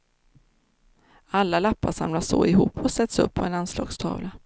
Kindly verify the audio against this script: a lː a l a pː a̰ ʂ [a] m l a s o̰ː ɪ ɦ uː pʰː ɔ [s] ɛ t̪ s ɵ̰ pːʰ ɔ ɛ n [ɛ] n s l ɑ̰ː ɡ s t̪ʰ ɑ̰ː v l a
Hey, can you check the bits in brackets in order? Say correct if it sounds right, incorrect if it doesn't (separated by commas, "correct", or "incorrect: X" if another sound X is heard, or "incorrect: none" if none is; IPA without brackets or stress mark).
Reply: correct, correct, incorrect: a